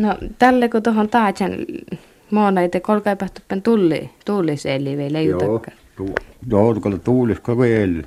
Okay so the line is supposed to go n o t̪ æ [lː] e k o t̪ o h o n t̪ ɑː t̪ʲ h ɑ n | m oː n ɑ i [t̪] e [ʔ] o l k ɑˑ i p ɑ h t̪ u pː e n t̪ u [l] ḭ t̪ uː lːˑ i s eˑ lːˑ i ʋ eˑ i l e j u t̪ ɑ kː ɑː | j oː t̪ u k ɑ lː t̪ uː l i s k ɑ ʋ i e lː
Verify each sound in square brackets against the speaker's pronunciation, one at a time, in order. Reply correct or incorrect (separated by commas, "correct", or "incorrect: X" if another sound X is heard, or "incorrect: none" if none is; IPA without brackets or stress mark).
correct, correct, incorrect: k, incorrect: lː